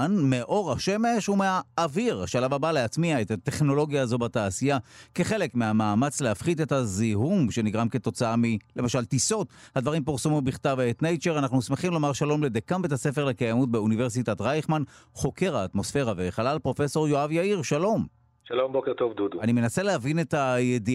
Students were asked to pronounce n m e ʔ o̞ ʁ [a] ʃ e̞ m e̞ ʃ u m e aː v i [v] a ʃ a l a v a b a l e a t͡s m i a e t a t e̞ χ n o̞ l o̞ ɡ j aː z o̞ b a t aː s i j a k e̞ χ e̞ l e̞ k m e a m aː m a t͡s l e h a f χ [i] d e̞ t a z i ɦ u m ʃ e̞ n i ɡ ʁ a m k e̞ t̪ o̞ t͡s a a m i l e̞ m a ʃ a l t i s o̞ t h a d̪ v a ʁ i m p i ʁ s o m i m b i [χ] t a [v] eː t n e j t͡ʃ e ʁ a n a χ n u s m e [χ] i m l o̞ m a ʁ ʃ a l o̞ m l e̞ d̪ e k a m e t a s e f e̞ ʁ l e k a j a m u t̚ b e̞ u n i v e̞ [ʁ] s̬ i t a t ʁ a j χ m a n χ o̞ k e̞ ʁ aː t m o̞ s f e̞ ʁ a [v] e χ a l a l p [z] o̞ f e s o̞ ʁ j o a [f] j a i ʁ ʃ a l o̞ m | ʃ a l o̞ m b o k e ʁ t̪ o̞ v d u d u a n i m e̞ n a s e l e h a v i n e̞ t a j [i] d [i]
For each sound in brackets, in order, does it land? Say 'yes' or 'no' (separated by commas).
yes, no, yes, yes, yes, yes, yes, yes, no, no, no, yes